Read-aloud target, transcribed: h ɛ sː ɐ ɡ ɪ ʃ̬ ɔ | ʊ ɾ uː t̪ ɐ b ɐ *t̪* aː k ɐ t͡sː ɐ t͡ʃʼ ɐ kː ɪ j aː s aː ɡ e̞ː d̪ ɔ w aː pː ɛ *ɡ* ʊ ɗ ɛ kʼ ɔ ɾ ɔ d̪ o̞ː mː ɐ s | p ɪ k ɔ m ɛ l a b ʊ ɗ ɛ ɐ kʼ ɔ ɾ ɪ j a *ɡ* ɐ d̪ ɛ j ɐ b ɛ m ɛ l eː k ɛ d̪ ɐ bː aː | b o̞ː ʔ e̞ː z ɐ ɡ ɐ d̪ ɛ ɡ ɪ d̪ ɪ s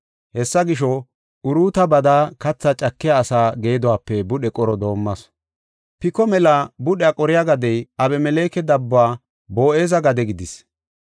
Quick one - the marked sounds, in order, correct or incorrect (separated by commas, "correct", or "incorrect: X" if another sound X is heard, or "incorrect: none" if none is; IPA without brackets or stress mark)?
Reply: incorrect: d̪, incorrect: b, correct